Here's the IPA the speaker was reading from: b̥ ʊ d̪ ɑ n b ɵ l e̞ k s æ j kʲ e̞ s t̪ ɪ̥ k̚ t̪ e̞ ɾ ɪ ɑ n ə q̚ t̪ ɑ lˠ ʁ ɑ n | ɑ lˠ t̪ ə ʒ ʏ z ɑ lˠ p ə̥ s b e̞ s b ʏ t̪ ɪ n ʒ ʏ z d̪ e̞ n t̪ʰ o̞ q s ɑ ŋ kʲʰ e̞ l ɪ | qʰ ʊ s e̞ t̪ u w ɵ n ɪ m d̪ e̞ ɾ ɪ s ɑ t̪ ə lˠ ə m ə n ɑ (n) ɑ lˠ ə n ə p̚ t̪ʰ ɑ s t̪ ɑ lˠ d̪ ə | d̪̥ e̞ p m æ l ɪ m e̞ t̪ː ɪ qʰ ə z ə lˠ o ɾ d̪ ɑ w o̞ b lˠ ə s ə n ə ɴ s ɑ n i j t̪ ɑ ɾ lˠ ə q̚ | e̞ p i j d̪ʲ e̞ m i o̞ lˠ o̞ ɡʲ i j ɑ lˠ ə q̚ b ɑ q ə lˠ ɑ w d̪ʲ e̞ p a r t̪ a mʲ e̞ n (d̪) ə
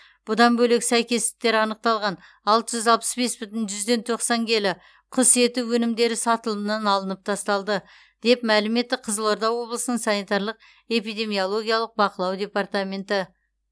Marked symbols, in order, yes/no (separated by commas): yes, no